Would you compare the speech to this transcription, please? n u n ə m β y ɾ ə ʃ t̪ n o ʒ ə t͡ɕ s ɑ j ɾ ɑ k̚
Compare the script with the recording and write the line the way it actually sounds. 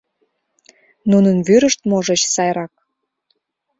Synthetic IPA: n u n ə n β y ɾ ə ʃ t̪ m o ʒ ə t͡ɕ s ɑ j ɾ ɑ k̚